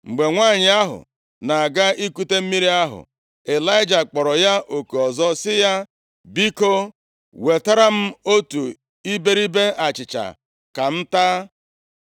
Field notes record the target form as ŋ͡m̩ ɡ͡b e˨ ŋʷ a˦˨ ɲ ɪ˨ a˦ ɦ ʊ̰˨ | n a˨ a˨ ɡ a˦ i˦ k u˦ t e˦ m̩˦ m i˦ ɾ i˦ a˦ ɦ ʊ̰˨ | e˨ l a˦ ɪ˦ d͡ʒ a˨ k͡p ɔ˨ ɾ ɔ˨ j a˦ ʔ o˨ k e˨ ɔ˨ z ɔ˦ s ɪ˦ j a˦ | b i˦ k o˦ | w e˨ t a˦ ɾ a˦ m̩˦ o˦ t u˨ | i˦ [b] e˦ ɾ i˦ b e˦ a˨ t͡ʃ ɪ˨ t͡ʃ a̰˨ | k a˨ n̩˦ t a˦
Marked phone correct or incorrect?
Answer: correct